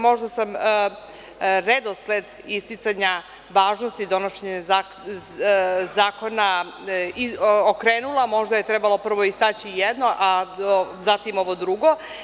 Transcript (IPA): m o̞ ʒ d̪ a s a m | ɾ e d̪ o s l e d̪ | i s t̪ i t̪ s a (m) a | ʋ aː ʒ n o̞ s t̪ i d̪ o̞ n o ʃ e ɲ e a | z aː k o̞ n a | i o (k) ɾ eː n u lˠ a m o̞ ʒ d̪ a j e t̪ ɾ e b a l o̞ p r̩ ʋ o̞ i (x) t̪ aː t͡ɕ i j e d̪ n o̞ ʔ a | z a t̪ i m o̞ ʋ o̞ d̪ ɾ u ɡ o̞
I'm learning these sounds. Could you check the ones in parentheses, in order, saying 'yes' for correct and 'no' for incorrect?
no, yes, no

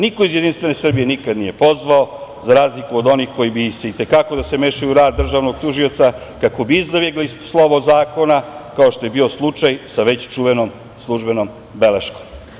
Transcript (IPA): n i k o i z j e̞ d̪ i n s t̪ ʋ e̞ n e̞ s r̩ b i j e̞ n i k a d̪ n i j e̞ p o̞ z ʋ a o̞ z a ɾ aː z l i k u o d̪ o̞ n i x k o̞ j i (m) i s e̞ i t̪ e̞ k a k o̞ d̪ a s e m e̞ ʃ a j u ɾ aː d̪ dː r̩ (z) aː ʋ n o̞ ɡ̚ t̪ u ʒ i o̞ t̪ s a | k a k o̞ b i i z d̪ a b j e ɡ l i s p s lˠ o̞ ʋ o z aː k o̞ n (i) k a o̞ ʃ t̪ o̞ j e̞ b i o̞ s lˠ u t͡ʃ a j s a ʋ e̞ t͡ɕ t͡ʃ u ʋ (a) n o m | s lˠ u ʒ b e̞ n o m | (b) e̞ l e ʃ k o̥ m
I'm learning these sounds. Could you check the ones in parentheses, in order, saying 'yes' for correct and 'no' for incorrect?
no, no, no, no, yes

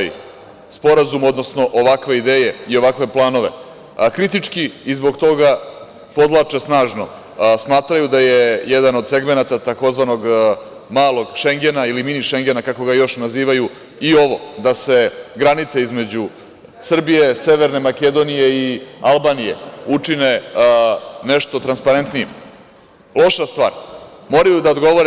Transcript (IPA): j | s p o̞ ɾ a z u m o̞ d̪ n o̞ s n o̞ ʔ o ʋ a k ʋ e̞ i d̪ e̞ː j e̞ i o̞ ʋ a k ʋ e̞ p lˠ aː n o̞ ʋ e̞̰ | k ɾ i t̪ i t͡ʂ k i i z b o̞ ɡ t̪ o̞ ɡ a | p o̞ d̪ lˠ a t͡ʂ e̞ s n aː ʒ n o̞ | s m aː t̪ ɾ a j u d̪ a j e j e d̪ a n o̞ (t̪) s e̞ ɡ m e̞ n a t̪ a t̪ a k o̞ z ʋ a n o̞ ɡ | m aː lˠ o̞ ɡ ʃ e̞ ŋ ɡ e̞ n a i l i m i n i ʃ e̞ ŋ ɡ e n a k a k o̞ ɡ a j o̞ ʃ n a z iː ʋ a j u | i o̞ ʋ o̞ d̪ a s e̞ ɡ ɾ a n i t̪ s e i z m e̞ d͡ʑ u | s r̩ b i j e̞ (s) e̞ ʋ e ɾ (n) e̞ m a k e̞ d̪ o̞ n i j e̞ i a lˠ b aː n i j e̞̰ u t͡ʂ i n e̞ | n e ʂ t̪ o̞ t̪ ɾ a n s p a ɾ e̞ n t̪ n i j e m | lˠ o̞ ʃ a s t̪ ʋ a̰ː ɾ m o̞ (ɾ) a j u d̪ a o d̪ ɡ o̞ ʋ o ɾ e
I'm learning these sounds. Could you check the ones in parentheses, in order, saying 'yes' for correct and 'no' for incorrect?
no, yes, yes, yes

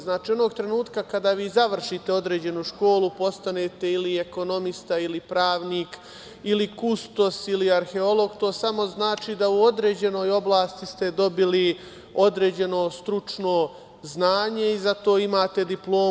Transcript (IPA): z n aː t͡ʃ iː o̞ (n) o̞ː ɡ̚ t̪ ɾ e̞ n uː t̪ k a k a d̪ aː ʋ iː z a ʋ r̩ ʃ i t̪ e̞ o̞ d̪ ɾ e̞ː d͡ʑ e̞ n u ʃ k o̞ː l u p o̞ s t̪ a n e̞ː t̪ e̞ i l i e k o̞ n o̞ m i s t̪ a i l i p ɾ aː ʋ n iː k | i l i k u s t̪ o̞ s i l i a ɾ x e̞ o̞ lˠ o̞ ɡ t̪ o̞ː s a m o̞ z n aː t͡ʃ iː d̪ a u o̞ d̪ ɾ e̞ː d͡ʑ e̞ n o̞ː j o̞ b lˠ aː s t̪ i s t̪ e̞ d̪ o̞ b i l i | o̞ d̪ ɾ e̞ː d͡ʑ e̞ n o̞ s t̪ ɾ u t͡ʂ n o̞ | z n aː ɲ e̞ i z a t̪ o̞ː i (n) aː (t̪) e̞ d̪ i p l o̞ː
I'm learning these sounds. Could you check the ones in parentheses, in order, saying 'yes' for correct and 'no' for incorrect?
yes, no, yes

